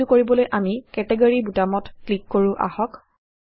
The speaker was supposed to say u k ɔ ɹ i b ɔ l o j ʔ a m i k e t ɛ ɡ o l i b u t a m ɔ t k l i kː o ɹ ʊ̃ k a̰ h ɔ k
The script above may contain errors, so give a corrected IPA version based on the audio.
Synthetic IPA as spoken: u k o ɹ i b ɔ l o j ʔ a m i k ɛ t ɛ ɡ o ɹ i b u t a m ɔ t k l i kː o ɹ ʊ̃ ʔ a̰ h ɔ k